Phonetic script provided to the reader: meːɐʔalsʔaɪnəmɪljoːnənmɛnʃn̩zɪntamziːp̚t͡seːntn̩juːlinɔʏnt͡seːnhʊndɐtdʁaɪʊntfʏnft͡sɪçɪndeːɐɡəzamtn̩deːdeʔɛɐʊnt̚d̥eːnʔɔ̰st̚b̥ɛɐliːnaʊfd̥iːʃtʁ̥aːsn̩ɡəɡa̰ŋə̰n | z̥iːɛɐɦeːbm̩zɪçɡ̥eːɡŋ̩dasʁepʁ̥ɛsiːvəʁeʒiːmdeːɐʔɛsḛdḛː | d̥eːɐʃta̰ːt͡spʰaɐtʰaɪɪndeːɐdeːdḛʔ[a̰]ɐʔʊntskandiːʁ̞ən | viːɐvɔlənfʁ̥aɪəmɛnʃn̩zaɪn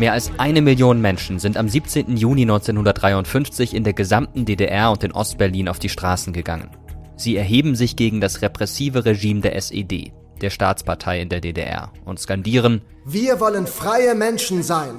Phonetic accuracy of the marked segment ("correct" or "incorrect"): incorrect